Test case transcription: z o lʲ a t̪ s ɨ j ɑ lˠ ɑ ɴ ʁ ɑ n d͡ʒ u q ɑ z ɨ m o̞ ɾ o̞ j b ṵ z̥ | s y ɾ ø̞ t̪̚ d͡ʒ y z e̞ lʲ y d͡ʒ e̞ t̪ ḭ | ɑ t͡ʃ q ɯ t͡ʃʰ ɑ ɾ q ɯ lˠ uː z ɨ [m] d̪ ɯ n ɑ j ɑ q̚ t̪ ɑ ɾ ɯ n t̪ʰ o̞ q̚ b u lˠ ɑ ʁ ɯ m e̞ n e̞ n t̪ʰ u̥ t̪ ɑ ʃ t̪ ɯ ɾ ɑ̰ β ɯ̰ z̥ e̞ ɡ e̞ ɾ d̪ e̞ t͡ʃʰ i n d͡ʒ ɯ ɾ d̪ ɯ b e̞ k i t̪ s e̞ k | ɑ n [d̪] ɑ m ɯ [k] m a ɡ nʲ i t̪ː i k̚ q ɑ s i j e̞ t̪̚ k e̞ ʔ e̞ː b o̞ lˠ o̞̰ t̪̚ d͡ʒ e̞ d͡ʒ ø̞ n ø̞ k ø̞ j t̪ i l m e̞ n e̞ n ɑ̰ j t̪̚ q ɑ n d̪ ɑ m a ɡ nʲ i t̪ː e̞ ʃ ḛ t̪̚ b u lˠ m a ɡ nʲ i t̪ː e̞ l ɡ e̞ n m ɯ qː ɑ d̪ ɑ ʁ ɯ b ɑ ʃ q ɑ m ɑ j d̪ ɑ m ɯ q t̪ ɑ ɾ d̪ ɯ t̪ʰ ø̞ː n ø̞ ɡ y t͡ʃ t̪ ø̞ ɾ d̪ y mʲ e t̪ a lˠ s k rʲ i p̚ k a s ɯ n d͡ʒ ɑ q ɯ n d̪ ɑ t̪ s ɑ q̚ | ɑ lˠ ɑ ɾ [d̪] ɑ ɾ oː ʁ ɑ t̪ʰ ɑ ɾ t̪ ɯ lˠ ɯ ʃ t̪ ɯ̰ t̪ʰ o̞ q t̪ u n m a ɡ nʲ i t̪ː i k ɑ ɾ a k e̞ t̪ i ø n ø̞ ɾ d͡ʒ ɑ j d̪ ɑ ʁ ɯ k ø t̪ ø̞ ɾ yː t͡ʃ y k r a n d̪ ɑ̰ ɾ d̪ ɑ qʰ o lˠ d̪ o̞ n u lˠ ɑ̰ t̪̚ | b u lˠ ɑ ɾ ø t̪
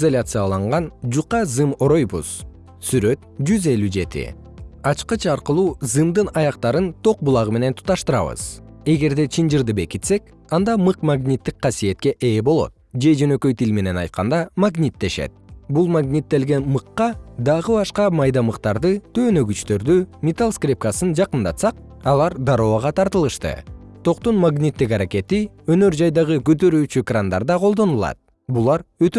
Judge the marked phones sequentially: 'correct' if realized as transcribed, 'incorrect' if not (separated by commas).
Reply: correct, correct, incorrect, correct